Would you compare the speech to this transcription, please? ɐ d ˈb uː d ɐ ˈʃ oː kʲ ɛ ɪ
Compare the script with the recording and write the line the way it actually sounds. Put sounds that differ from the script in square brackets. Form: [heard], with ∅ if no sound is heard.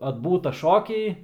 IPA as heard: ɐ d ˈb uː [t] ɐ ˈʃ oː kʲ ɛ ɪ